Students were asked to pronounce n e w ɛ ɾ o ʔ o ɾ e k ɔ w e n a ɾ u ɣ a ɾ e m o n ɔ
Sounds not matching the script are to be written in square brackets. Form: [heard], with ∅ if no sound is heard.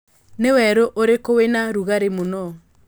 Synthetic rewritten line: n e w ɛ ɾ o ʔ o ɾ e k [o] w e n a ɾ u ɣ a ɾ e m o n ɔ